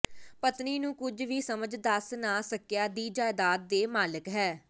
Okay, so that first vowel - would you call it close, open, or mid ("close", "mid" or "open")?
mid